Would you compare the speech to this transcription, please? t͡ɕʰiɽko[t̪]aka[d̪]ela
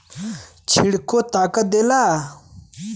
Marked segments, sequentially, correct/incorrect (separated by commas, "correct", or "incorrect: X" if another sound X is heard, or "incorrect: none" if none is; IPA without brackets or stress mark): correct, correct